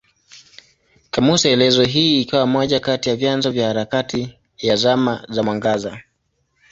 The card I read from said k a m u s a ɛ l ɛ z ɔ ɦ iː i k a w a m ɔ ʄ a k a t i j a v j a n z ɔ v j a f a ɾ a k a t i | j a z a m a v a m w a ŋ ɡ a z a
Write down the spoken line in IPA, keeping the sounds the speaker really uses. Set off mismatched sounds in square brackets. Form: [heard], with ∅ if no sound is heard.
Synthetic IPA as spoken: k a m u s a ɛ l ɛ z ɔ ɦ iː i k a w a m ɔ ʄ a k a t i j a v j a n z ɔ v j a [h] a ɾ a k a t i | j a z a m a [z] a m w a ŋ ɡ a z a